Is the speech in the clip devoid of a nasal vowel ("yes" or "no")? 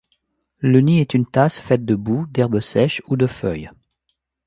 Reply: yes